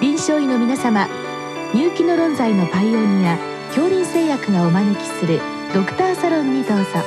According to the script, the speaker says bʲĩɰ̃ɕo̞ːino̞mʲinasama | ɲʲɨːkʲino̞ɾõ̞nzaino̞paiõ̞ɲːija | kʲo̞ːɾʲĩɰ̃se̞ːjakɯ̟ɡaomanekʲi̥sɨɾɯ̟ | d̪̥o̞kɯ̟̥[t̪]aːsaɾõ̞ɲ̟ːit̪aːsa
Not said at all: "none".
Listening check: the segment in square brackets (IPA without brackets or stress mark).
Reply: t̪